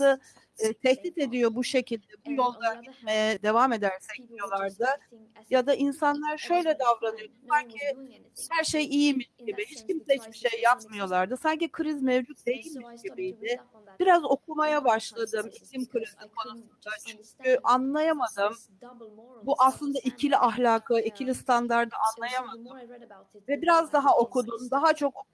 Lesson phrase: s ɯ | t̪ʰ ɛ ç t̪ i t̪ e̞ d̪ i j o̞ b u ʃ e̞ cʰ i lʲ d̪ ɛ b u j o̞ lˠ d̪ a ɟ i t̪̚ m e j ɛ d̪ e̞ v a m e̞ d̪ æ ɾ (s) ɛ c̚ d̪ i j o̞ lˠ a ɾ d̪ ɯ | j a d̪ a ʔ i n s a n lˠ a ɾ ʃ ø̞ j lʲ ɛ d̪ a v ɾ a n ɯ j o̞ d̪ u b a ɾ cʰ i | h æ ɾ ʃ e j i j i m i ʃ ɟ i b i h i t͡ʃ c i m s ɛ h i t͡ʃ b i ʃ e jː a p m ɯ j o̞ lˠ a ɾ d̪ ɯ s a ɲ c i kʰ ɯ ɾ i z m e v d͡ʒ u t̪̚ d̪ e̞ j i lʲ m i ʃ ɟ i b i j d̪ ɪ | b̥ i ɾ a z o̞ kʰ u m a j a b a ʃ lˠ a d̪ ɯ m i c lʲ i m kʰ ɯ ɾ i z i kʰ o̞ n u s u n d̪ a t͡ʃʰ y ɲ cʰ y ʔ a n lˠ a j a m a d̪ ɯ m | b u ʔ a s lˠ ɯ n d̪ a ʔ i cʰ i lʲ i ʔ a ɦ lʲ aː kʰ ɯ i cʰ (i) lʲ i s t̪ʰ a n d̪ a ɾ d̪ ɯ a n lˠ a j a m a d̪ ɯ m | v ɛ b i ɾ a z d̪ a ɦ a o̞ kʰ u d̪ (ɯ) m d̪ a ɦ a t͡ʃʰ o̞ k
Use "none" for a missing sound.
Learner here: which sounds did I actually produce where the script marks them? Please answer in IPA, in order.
s, i, u

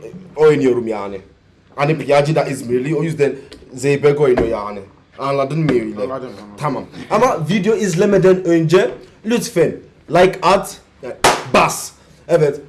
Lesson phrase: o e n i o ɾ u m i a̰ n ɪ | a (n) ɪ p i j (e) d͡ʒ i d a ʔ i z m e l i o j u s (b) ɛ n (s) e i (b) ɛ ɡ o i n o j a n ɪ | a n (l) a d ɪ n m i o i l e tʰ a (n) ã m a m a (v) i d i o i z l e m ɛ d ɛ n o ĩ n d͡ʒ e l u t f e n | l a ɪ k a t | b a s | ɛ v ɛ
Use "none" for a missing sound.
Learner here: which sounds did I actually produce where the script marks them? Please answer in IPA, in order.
n, a, d, z, b, l, m, v

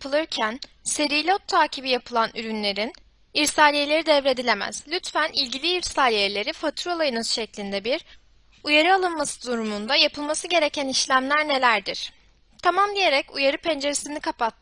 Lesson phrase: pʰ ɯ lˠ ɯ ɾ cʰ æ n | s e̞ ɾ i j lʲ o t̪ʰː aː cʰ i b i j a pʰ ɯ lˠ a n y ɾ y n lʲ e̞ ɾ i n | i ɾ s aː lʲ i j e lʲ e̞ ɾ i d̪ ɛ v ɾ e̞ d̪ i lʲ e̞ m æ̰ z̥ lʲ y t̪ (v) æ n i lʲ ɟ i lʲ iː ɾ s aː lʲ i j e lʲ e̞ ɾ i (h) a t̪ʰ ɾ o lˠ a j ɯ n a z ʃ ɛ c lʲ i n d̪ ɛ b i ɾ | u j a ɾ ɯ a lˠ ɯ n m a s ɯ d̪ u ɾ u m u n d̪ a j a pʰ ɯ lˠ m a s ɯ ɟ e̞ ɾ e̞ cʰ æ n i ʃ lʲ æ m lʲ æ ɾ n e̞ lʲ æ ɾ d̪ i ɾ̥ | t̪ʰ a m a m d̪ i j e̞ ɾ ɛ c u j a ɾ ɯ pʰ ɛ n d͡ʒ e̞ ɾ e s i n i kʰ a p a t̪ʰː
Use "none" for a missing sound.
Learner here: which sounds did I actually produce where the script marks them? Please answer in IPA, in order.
f, f

